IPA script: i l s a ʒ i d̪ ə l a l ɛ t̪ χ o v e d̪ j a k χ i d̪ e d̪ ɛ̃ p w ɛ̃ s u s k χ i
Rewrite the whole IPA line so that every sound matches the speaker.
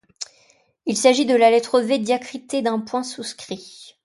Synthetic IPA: i l s a ʒ i d̪ ə l a l ɛ t̪ χ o v e d̪ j a k χ i t̪ e d̪ ɛ̃ p w ɛ̃ s u s k χ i